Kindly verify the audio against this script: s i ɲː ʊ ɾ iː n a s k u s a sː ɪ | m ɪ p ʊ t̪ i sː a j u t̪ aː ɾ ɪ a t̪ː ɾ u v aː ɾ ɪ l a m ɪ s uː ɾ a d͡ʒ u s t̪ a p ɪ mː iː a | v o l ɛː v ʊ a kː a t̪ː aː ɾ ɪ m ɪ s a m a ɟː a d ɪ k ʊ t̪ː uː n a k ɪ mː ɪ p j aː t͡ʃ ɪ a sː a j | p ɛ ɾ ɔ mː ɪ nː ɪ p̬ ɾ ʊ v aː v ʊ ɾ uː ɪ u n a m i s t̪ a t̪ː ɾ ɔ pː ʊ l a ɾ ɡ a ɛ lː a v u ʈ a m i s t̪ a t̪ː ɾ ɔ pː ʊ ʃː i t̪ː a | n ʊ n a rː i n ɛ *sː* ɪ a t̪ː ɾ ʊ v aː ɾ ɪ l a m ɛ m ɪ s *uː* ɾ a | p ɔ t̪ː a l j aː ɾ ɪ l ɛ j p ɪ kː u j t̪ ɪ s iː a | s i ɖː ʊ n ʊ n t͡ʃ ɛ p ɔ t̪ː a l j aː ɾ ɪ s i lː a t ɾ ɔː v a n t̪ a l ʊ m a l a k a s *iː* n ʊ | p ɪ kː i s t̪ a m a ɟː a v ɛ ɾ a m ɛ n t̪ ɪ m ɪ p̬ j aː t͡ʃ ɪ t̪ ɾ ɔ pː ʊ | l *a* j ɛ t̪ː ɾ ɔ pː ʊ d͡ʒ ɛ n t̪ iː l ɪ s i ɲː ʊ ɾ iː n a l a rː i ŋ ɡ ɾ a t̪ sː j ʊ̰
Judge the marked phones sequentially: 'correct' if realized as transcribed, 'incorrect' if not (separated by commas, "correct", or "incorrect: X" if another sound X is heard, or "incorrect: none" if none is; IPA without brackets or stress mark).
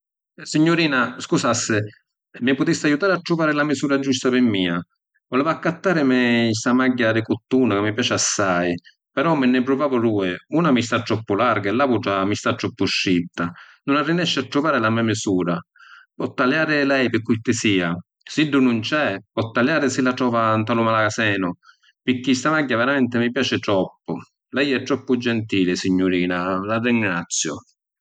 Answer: incorrect: ʃː, correct, incorrect: ɛː, incorrect: ɛ